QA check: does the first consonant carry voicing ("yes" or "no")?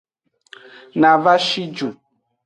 yes